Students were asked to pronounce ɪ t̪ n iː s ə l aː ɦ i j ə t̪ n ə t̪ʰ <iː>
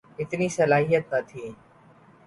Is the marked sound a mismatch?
no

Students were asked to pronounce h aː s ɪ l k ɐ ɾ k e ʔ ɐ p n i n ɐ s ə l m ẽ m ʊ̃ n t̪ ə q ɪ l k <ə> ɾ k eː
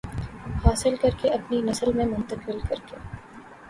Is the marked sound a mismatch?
yes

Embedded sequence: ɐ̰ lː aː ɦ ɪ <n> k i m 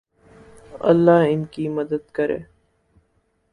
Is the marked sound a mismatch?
no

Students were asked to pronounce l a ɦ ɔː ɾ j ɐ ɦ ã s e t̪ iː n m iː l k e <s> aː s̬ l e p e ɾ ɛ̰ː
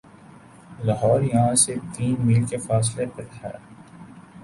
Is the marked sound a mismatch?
yes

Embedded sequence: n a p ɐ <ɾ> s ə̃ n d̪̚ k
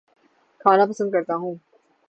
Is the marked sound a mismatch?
yes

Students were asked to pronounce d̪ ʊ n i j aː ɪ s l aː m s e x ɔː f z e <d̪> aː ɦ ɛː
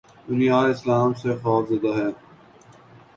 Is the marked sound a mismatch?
no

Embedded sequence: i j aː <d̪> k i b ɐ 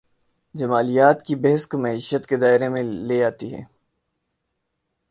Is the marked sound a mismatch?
yes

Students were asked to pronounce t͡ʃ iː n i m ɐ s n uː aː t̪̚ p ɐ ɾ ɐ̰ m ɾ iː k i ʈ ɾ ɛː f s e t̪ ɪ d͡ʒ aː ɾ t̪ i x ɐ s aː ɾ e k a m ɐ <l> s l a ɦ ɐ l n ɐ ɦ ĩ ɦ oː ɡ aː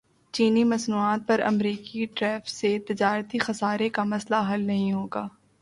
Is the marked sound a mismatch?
yes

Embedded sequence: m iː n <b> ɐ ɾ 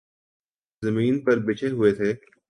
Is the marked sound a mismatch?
yes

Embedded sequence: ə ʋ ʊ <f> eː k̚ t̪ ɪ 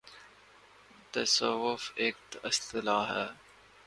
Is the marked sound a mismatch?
no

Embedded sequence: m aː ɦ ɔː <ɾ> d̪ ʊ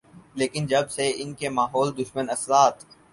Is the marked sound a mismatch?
yes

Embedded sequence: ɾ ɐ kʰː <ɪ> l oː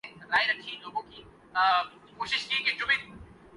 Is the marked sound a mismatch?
yes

